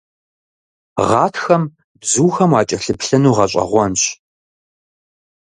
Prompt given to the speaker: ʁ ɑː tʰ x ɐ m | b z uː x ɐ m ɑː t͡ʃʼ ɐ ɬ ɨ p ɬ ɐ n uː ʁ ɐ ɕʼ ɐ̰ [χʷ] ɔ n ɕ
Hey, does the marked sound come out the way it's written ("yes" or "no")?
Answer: no